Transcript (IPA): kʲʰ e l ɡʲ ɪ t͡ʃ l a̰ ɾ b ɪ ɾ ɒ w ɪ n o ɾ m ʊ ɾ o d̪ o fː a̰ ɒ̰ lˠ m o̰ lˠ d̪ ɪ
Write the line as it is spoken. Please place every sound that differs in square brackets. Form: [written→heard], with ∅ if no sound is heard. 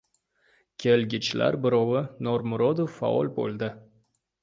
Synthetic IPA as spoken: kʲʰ e l ɡʲ ɪ t͡ʃ l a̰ ɾ b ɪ ɾ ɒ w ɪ n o ɾ m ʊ ɾ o d̪ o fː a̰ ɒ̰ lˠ [m→b] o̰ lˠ d̪ ɪ